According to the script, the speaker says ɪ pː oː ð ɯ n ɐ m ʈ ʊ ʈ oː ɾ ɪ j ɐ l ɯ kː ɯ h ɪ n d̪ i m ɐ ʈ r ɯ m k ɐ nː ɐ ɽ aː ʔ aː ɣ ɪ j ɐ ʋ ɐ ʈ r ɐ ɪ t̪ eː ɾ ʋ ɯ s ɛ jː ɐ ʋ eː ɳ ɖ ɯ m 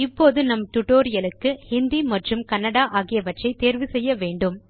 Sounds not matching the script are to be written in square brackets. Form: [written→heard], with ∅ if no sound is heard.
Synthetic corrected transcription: ɪ pː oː ð ɯ n ɐ m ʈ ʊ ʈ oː ɾ ɪ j ɐ l ɯ kː ɯ h ɪ n d̪ i m ɐ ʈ r ɯ m k ɐ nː ɐ ɽ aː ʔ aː ɣ ɪ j ɐ ʋ ɐ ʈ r ɐ ɪ t̪ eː ɾ ʋ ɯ s ɛ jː ɐ ʋ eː ɳ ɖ ɯ m